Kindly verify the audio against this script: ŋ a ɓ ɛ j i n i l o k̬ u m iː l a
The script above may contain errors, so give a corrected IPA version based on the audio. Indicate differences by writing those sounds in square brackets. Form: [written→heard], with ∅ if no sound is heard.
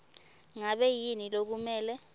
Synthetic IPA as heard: ŋ a ɓ ɛ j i n i l o k̬ u m [iː→ɛː] l [a→ɛ]